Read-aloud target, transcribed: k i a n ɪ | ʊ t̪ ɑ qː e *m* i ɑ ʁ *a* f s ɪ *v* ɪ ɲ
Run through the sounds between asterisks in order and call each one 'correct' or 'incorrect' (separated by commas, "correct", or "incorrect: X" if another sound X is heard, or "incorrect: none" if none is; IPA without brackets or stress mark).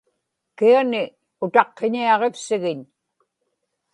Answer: incorrect: ɲ, incorrect: e, incorrect: ɣ